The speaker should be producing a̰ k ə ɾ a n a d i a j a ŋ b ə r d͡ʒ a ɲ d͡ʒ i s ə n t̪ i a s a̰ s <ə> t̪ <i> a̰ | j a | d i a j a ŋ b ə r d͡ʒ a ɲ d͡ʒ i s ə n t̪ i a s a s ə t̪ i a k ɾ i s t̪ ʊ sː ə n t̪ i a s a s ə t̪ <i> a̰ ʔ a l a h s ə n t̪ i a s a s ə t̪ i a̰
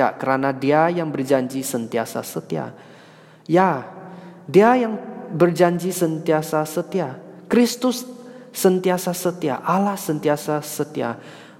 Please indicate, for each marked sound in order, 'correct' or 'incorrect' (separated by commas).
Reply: correct, correct, correct